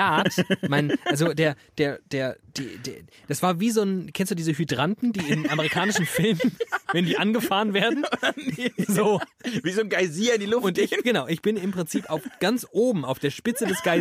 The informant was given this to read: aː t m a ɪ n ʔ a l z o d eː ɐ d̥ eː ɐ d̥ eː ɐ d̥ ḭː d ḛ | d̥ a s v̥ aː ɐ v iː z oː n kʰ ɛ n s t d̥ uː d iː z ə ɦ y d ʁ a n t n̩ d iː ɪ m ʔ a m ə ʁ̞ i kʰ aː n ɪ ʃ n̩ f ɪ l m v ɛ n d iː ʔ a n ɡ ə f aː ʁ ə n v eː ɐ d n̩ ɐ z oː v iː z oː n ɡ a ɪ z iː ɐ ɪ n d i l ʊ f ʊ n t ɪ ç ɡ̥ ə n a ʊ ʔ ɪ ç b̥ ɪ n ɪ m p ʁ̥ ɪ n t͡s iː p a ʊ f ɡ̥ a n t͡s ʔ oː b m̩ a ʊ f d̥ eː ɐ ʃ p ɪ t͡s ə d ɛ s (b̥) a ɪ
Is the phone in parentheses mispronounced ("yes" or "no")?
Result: yes